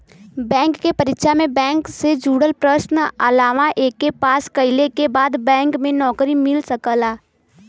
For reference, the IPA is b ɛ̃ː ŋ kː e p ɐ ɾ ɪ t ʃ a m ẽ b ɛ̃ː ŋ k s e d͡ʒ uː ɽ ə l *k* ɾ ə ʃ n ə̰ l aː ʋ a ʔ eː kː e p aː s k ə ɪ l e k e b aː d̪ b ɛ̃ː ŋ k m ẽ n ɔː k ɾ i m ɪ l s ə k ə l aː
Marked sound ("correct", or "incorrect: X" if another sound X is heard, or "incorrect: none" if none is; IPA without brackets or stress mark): incorrect: p